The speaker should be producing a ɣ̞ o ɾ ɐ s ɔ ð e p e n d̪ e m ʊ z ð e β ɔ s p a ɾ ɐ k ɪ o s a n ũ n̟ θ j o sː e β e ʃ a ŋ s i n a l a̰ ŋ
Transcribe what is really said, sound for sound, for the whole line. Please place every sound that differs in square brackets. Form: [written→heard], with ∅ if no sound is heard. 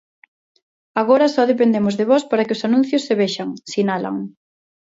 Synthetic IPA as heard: a ɣ̞ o ɾ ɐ s ɔ ð e p e n d̪ e m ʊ z ð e β ɔ s p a ɾ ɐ k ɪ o s a n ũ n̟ θ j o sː e β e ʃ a ŋ s i n a l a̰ ŋ